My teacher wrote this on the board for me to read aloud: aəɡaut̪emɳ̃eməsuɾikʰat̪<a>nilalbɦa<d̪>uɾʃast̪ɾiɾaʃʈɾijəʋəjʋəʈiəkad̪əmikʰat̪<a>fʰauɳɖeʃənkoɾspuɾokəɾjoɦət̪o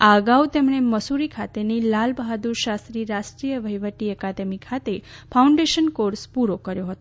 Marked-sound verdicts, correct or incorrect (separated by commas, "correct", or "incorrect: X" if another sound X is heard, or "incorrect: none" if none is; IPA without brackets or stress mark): incorrect: e, correct, incorrect: e